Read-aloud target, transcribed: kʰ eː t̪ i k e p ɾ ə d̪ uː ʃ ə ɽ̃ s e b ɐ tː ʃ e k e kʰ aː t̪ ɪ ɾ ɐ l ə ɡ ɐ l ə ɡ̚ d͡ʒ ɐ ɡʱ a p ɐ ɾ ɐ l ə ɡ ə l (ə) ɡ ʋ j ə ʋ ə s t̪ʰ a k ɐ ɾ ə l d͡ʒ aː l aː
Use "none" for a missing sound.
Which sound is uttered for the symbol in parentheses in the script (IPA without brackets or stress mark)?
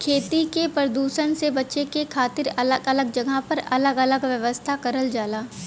ə